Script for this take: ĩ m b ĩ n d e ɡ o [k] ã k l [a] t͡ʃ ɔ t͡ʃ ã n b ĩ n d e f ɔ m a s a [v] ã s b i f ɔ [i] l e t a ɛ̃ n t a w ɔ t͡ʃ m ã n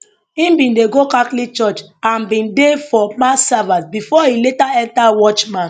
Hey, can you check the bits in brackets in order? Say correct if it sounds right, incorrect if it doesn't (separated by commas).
correct, incorrect, correct, correct